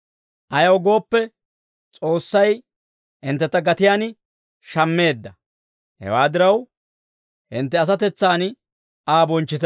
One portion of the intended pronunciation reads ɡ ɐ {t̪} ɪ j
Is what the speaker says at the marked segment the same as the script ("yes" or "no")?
yes